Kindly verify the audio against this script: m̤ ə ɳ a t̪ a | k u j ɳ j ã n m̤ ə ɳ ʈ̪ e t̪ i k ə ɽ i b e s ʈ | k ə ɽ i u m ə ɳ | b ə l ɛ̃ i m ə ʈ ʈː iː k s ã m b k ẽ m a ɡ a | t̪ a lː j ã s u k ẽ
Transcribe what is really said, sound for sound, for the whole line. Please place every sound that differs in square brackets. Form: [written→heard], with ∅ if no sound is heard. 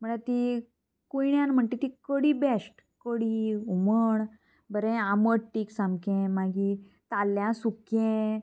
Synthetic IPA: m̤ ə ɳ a t̪ [a→i] | k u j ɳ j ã n m̤ ə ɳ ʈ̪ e t̪ i k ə ɽ i b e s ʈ | k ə ɽ i u m ə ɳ | b ə [l→ɾ] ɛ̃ [i→a] m ə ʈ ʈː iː k s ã m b k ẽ m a ɡ [a→i] | t̪ a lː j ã s u k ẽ